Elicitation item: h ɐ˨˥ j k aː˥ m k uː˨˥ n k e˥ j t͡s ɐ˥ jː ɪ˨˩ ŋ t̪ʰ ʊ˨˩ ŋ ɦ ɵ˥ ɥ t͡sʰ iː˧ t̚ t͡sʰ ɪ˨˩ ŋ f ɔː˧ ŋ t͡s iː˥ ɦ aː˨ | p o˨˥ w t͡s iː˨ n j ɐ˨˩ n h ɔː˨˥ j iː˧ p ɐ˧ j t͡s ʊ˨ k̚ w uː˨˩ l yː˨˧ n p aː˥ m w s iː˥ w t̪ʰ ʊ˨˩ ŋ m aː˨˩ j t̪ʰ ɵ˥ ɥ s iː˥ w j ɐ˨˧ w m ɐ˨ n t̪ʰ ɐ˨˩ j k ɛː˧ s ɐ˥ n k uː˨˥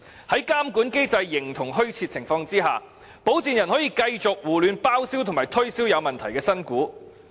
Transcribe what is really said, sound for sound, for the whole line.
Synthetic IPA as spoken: h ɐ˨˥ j k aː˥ m k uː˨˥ n k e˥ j t͡s ɐ˧ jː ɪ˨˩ ŋ t̪ʰ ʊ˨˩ ŋ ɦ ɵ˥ ɥ t͡sʰ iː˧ t̚ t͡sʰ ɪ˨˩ ŋ f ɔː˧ ŋ t͡s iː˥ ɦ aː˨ | p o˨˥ w t͡s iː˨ n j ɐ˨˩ n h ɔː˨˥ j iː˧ k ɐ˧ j t͡s ʊ˨ k̚ w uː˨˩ l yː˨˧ n p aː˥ w s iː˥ w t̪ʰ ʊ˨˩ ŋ m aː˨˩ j t̪ʰ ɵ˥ ɥ s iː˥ w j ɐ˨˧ w m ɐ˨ n t̪ʰ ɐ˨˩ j k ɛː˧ s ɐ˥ n k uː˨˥